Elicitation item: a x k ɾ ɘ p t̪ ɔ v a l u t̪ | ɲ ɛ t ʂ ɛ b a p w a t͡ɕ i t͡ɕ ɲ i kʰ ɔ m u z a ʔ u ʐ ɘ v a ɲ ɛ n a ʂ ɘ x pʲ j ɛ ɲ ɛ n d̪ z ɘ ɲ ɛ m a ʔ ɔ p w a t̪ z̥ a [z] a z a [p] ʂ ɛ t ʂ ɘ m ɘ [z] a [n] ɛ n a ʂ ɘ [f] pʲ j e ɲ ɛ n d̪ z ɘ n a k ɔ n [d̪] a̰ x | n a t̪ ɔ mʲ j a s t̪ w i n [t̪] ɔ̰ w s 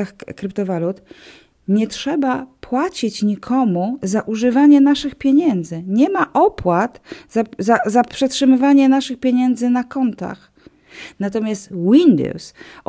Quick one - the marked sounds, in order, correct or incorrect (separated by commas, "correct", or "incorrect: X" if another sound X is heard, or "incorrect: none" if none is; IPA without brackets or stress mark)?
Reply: correct, correct, incorrect: v, incorrect: ɲ, incorrect: x, incorrect: t̪, incorrect: d̪